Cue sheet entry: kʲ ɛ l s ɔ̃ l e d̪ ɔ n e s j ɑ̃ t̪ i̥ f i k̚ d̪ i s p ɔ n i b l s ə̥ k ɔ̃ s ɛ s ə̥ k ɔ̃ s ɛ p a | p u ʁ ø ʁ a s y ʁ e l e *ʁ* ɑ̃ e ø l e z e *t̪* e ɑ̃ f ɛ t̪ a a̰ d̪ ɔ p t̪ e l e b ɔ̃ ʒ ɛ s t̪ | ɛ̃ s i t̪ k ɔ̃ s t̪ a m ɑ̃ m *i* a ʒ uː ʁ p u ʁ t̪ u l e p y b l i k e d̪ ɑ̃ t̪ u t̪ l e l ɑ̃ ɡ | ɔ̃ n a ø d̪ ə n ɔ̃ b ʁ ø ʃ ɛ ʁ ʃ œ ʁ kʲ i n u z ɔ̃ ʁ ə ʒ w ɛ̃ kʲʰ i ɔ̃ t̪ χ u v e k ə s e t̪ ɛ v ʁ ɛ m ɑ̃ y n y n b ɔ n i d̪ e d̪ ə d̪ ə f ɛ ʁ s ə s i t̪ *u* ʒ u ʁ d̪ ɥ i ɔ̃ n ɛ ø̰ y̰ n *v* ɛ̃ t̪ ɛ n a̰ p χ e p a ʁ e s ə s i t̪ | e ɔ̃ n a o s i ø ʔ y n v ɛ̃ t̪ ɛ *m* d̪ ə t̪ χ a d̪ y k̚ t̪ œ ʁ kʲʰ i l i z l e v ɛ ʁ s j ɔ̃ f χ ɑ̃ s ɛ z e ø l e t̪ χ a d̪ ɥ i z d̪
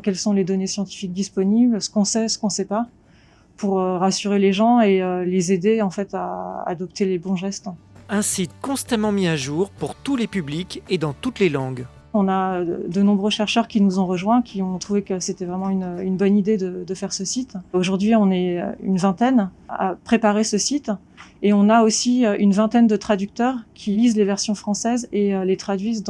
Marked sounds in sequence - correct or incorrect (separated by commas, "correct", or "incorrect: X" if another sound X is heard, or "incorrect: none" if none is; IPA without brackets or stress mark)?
incorrect: ʒ, incorrect: d̪, correct, incorrect: o, correct, incorrect: n